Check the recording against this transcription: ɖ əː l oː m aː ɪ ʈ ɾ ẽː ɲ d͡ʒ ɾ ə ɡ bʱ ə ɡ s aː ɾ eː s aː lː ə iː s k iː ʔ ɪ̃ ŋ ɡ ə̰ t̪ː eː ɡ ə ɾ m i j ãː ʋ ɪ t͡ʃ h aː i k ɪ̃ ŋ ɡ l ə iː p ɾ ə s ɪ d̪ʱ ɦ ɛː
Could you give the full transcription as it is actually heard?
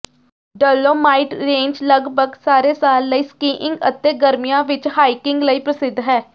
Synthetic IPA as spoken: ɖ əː l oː m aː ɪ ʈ ɾ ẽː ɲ d͡ʒ l ə ɡ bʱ ə ɡ s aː ɾ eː s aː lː ə iː s k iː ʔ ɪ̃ ŋ ɡ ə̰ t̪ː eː ɡ ə ɾ m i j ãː ʋ ɪ t͡ʃ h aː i k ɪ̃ ŋ ɡ l ə iː p ɾ ə s ɪ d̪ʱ ɦ ɛː